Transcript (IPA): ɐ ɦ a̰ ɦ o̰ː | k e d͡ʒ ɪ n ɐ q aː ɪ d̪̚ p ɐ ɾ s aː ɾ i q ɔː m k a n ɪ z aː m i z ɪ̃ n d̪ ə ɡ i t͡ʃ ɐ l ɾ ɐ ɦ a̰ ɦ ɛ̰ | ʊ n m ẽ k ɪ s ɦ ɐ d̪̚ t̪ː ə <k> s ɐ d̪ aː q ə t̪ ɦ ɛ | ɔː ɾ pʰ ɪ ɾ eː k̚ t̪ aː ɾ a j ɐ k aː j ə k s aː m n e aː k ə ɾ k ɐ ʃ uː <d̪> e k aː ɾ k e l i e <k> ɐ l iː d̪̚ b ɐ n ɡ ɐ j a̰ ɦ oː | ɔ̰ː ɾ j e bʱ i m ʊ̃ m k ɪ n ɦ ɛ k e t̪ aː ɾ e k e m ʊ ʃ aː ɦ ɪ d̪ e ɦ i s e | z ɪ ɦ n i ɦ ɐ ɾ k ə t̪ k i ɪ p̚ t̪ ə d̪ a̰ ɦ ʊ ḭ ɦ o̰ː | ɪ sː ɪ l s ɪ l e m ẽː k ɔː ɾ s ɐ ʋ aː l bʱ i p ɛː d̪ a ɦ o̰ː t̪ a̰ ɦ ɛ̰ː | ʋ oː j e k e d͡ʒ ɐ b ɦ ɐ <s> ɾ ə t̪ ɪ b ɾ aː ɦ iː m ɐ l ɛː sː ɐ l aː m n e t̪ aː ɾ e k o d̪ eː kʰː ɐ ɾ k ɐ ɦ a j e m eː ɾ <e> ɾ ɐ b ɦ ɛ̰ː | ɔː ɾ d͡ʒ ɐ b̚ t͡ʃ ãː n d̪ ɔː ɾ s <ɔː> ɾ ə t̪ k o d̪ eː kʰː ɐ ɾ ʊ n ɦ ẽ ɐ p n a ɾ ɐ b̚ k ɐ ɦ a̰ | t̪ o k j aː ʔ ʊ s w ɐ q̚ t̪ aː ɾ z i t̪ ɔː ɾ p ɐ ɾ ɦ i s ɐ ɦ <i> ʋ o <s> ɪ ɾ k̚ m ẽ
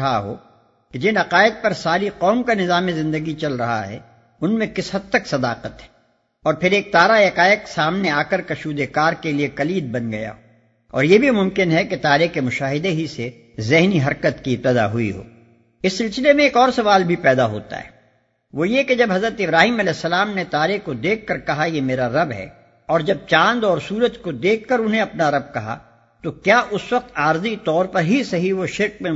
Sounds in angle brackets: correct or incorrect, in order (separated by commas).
correct, correct, correct, incorrect, incorrect, incorrect, correct, incorrect